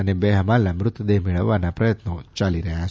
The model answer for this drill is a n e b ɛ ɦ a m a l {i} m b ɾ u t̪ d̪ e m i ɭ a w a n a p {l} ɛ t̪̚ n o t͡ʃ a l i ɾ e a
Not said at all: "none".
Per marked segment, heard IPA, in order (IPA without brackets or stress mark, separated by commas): a, ɾ